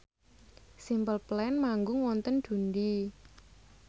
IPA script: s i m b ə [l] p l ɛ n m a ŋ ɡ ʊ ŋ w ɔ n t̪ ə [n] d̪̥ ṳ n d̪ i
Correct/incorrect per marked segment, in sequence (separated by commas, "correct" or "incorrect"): correct, correct